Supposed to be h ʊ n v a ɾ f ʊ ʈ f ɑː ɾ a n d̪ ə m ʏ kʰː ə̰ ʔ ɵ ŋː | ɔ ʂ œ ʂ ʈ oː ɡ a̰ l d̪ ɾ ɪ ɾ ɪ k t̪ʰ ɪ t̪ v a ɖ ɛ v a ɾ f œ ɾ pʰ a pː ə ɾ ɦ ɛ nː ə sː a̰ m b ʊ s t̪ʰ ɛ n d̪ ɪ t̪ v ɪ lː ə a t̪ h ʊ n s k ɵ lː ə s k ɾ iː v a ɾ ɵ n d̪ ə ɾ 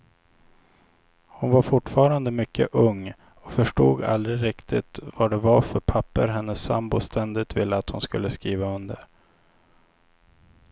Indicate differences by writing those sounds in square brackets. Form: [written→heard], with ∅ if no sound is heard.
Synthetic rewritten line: h ʊ n v a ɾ f ʊ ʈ f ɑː ɾ a n d̪ ə m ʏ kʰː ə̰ ʔ ɵ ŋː | ɔ [ʂ→f] œ ʂ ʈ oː ɡ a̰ l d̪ ɾ ɪ ɾ ɪ k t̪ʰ ɪ t̪ v a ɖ ɛ v a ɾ f œ ɾ pʰ a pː ə ɾ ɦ ɛ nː ə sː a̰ m b ʊ s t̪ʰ ɛ n d̪ ɪ t̪ v ɪ lː ə a t̪ h ʊ n s k ɵ lː ə s k ɾ iː v a [ɾ→∅] ɵ n d̪ ə ɾ